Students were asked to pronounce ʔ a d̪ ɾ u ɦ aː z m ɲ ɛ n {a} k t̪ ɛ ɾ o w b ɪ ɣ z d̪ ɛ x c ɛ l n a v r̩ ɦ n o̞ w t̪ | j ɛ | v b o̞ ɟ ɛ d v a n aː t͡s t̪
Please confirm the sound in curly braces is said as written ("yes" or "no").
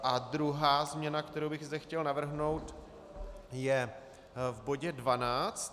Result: yes